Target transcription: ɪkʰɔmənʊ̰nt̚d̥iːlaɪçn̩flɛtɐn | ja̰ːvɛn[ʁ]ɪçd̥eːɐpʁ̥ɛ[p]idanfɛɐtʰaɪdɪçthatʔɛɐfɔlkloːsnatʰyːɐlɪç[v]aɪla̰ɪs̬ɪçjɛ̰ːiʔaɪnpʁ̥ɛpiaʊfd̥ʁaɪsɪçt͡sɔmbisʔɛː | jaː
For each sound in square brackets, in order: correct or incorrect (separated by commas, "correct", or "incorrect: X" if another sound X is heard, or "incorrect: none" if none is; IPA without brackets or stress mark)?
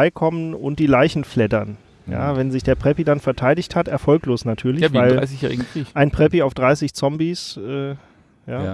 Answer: incorrect: z, correct, correct